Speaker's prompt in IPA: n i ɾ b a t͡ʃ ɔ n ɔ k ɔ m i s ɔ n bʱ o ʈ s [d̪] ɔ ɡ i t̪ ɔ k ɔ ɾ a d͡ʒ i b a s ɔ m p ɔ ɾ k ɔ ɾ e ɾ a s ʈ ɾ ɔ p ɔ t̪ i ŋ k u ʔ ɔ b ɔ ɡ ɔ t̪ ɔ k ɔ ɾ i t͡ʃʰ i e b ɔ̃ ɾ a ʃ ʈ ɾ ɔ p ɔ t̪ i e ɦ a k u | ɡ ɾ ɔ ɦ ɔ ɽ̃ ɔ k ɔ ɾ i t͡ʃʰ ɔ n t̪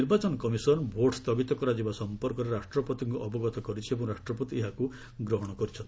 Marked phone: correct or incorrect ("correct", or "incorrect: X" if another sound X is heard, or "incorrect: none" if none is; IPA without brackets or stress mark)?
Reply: incorrect: t̪